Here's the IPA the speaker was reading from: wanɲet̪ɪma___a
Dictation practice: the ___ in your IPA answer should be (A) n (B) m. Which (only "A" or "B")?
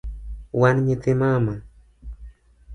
B